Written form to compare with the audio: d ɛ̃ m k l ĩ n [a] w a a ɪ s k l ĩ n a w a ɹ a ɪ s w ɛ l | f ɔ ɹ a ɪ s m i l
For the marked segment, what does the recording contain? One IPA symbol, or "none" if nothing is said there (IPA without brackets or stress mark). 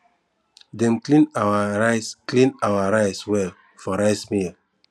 a